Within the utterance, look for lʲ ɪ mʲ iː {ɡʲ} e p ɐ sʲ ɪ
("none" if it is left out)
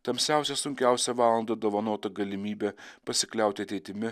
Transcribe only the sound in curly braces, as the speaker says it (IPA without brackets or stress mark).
bʲ